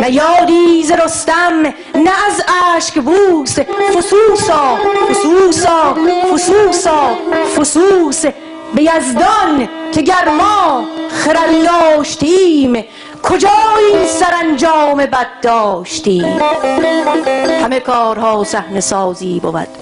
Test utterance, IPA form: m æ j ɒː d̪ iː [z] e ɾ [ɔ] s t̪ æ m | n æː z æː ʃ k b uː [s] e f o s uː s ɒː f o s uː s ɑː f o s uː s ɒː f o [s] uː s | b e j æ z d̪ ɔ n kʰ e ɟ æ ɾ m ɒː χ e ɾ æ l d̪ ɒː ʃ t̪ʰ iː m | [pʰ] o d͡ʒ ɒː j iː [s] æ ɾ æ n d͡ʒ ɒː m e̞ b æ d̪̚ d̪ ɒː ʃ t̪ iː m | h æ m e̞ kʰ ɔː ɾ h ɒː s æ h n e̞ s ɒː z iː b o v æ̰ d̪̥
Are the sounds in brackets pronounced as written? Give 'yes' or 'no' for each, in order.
yes, no, yes, yes, no, yes

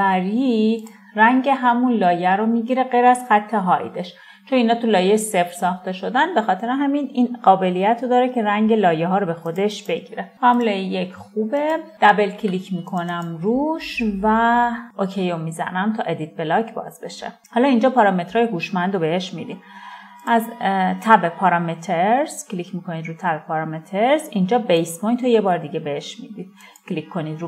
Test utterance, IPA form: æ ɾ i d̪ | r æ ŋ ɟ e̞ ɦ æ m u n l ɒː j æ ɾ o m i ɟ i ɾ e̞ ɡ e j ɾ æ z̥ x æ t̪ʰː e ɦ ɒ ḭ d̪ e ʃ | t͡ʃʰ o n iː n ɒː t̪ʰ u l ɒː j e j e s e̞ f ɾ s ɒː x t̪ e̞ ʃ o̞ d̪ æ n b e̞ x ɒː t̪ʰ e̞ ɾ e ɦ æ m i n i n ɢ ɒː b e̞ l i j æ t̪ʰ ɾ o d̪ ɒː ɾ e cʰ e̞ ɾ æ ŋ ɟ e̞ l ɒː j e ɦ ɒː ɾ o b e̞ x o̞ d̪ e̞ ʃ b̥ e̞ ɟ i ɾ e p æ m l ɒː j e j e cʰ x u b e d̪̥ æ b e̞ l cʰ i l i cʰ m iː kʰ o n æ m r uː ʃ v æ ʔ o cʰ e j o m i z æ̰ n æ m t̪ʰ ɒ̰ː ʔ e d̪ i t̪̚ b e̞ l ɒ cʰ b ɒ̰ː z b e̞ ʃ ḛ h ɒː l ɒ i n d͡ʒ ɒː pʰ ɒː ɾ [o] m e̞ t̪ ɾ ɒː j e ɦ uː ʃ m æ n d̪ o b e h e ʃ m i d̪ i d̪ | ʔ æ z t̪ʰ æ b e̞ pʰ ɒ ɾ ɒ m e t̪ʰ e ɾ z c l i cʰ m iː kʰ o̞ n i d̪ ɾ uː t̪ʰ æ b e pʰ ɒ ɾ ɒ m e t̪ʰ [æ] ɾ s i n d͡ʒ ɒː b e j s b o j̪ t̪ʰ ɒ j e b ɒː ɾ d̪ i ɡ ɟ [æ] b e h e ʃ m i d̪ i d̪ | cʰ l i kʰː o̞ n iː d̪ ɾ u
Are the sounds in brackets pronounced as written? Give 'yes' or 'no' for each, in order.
no, no, no

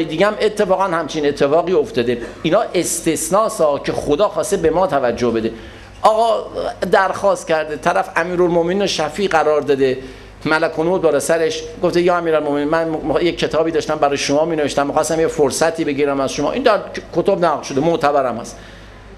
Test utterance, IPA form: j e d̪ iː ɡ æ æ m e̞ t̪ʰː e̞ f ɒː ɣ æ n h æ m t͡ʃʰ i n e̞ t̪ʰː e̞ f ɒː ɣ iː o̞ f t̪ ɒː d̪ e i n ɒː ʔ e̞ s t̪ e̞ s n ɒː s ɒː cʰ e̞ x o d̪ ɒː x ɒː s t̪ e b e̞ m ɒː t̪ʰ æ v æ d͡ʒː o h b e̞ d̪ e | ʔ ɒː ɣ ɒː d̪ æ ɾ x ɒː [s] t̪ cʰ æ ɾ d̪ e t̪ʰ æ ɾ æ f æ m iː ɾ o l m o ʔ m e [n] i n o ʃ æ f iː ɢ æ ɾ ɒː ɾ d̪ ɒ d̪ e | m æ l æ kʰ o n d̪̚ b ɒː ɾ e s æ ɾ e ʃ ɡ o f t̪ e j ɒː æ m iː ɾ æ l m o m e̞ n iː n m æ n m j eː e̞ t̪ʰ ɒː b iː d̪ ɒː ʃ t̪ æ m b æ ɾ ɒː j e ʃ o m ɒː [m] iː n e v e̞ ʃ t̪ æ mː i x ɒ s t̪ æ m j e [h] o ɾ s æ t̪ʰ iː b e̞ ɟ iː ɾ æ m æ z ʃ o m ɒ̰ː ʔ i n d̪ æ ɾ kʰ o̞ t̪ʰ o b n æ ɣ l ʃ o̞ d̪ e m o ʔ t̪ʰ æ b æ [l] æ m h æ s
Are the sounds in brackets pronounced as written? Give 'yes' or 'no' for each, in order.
yes, yes, yes, no, no

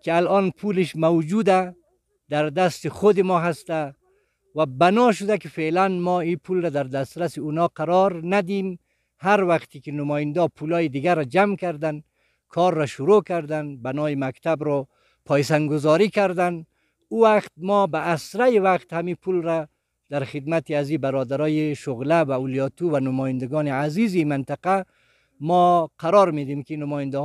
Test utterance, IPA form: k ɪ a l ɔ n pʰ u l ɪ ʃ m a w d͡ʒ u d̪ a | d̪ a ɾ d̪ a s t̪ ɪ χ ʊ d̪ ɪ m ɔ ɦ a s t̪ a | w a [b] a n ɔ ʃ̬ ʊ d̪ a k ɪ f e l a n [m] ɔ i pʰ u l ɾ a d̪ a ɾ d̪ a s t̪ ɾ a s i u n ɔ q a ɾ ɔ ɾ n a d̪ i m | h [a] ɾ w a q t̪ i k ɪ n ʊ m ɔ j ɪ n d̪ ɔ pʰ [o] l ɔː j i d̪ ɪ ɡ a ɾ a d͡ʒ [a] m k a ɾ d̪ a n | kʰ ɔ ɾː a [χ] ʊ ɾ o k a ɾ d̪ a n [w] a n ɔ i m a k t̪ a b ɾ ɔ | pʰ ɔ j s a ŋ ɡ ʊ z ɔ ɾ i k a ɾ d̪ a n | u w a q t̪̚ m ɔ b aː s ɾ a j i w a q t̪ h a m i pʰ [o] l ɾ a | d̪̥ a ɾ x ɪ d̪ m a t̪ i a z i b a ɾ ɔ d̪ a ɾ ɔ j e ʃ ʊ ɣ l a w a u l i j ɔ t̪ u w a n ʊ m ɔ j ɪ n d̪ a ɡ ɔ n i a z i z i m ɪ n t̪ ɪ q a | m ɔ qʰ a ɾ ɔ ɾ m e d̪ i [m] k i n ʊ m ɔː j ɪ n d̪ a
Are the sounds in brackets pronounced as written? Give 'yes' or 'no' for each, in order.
yes, yes, yes, no, yes, no, no, no, yes

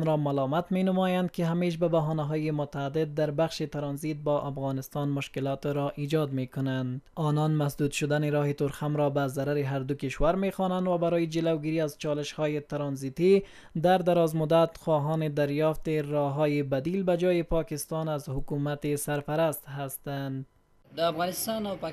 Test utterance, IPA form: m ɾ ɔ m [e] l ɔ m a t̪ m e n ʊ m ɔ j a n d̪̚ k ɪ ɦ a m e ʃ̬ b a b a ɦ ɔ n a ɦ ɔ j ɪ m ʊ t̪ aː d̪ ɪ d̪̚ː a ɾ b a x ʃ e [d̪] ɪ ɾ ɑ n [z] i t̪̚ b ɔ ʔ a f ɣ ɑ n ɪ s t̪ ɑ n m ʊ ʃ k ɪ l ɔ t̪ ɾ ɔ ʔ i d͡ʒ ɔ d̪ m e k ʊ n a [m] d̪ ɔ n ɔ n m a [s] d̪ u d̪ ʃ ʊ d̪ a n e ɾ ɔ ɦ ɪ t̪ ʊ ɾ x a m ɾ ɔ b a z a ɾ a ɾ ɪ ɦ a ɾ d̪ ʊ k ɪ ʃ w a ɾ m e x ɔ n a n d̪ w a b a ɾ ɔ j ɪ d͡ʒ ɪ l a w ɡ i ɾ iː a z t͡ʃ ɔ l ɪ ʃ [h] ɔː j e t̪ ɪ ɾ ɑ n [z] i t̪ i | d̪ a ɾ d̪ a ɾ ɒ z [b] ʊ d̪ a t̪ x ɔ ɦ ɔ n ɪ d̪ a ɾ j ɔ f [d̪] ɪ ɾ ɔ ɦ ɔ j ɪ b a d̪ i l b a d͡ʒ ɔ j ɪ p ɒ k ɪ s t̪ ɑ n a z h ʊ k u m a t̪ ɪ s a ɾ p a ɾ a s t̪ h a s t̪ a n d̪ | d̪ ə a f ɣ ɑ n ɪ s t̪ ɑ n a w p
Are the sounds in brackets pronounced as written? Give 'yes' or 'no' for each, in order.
no, no, yes, no, yes, yes, yes, no, no

